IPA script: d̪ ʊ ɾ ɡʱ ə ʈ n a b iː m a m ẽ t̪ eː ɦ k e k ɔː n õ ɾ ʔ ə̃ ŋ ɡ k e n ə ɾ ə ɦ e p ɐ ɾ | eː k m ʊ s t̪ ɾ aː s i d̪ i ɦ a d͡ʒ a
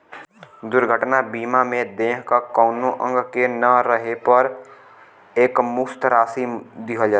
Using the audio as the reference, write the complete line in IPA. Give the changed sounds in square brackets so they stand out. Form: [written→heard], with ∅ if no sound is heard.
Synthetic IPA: d̪ ʊ ɾ ɡʱ ə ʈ n a b iː m a m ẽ [t̪→d̪] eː ɦ k [e→a] k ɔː n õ [ɾ→∅] ʔ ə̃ ŋ ɡ k e n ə ɾ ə ɦ e p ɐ ɾ | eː k m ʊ s t̪ ɾ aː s i d̪ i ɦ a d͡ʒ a